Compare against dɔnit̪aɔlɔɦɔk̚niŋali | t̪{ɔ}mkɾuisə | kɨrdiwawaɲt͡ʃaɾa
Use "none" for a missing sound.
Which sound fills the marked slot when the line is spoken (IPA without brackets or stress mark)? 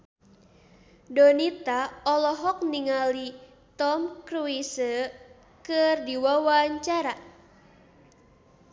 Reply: ɔ